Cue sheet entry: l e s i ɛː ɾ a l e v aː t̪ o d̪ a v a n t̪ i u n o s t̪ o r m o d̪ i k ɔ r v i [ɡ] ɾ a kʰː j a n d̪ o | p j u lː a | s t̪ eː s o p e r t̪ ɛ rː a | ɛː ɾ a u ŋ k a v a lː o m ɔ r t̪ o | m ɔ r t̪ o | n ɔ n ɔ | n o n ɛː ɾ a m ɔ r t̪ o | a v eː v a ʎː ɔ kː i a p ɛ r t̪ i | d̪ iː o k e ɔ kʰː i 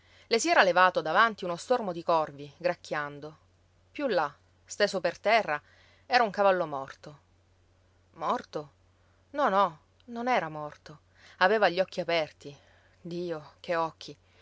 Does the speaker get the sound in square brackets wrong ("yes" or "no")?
no